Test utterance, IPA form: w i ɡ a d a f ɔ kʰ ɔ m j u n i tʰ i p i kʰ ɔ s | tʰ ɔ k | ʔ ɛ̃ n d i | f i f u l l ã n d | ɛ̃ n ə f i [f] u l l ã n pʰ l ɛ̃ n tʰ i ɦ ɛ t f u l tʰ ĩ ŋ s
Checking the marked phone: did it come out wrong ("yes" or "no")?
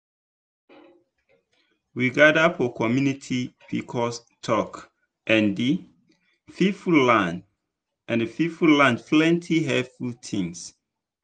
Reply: no